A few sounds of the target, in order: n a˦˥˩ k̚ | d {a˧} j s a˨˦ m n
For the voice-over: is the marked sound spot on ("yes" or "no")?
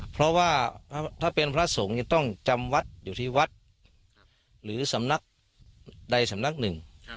yes